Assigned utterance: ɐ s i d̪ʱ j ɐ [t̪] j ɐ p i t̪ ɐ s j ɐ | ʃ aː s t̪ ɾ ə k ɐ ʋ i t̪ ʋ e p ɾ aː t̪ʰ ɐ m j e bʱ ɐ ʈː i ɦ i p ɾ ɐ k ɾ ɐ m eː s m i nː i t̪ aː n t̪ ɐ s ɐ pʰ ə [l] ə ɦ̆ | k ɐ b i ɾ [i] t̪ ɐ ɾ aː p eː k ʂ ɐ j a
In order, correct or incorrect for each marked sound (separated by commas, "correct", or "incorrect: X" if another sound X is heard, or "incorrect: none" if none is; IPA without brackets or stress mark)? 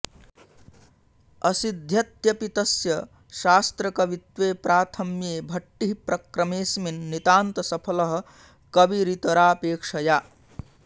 correct, correct, correct